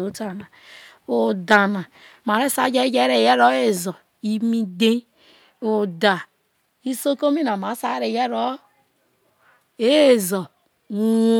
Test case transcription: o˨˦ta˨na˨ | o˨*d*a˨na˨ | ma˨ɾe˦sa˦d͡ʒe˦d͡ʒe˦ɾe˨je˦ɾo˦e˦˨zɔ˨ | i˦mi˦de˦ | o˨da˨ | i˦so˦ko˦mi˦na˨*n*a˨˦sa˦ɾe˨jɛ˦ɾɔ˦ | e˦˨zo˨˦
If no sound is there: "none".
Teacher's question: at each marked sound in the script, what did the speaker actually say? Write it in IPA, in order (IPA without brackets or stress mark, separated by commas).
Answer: d, m